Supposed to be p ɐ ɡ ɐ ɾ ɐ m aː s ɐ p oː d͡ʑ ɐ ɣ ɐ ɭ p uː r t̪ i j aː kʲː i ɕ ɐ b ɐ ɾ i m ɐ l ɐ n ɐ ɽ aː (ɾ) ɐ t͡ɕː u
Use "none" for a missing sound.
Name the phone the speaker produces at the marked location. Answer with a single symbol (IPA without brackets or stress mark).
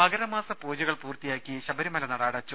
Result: ɽ